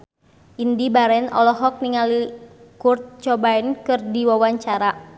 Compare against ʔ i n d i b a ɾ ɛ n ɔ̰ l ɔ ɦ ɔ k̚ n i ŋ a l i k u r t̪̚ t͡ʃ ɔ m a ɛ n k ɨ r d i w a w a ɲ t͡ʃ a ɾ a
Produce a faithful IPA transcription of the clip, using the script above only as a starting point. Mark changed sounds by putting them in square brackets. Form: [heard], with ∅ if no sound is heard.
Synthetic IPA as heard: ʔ i n d i b a ɾ ɛ n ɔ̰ l ɔ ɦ ɔ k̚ n i ŋ a l i k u r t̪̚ t͡ʃ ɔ [b] a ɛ n k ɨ r d i w a w a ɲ t͡ʃ a ɾ a